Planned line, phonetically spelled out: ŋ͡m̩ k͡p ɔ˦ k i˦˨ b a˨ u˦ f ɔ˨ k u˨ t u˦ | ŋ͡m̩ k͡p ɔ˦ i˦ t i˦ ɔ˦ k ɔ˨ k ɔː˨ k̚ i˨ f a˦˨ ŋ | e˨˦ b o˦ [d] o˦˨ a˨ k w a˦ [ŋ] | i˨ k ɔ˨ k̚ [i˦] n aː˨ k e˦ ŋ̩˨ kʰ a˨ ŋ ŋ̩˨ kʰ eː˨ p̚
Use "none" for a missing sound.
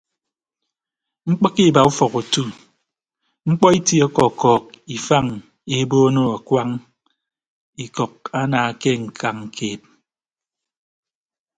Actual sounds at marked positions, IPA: n, ŋ, a˦

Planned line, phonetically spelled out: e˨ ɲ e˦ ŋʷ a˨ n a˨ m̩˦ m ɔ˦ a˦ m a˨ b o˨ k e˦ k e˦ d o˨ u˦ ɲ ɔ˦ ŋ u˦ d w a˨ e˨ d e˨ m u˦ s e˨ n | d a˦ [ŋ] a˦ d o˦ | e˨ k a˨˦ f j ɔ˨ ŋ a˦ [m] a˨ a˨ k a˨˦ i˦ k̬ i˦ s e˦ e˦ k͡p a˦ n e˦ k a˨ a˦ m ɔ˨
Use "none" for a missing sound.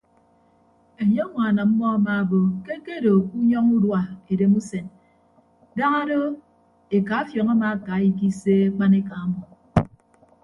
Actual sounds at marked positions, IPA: ŋ, m

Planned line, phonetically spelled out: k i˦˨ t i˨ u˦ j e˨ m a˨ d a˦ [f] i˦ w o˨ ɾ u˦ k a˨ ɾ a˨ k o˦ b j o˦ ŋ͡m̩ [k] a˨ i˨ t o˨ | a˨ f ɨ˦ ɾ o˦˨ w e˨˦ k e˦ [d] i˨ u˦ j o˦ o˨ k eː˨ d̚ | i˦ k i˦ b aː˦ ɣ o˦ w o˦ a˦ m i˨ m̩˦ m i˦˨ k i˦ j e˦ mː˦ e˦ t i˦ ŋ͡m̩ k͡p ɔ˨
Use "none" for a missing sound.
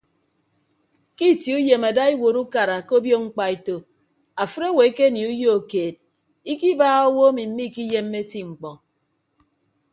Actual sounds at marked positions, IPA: none, k͡p, n

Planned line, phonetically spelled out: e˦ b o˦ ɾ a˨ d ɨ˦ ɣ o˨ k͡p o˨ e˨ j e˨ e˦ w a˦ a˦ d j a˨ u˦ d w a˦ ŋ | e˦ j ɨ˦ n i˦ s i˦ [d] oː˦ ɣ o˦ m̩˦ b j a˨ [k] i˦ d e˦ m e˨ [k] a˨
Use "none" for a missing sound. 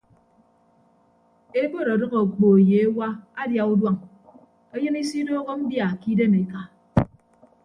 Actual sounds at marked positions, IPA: d, k, k

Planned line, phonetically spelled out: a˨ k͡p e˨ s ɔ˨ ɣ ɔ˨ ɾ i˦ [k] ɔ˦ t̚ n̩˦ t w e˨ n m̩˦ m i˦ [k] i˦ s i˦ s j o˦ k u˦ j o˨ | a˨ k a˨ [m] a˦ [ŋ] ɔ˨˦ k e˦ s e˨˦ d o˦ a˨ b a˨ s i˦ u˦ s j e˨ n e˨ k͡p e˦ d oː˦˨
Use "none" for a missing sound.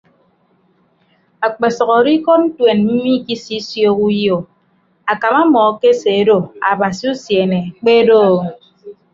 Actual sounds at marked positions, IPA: k, k, m, m

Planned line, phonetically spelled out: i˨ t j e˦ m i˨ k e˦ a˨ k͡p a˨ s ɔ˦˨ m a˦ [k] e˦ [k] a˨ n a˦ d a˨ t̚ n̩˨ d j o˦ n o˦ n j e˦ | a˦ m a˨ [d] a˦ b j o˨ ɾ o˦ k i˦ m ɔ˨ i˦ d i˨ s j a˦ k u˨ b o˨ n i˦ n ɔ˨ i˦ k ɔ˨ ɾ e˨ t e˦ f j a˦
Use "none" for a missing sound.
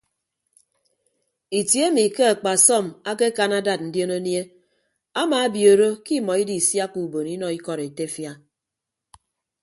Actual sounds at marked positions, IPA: k, k, none

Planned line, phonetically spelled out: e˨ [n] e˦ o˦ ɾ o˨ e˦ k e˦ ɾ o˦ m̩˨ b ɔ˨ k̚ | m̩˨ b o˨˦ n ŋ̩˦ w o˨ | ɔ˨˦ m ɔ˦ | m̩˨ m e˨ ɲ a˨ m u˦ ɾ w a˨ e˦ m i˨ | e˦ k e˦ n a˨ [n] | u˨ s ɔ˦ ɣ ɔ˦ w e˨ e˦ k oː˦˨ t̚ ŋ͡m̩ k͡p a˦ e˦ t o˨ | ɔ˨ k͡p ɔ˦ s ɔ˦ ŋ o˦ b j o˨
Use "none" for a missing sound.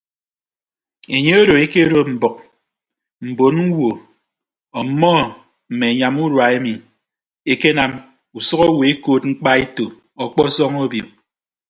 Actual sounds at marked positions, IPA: ɲ, m

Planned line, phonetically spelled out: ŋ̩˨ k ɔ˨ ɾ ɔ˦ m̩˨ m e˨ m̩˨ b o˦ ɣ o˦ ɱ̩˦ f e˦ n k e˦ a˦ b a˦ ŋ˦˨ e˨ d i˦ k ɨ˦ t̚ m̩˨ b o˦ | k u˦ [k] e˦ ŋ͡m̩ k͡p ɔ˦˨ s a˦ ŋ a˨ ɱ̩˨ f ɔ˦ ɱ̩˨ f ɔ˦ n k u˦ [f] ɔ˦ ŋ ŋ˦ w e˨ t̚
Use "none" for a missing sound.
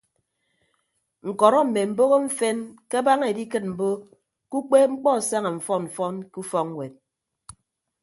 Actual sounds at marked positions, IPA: k͡p, f

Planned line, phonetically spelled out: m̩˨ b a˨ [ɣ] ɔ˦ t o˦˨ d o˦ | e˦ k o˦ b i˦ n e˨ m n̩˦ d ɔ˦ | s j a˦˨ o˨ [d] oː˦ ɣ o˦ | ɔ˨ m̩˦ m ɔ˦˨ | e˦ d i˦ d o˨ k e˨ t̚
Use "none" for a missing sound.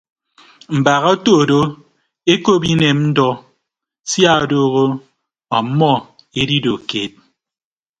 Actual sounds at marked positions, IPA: ɣ, d

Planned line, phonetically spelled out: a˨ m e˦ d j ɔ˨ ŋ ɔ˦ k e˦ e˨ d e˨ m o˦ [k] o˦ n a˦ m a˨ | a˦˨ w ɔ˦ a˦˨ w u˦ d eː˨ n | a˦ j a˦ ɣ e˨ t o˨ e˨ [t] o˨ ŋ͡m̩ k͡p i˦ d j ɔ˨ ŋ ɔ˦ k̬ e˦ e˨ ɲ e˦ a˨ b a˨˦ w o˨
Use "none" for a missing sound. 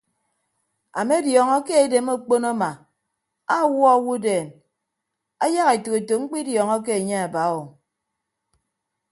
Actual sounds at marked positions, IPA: k͡p, t

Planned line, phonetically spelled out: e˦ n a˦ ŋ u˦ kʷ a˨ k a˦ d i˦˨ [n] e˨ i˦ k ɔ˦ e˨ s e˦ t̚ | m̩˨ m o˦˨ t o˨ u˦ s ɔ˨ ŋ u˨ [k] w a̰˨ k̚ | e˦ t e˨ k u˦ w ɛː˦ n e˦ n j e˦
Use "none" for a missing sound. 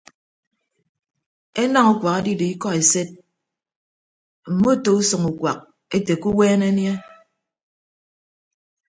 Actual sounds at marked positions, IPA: d, k

